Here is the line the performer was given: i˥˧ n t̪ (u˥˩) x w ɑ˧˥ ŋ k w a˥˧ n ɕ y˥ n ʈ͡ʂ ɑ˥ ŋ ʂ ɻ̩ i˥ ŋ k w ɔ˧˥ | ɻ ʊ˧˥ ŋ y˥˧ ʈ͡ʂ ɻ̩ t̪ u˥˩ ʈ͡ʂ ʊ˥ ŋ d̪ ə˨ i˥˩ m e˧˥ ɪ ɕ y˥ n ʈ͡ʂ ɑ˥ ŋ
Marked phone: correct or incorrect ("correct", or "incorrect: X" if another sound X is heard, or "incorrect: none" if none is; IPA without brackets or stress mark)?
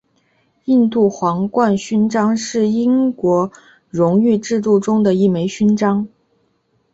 correct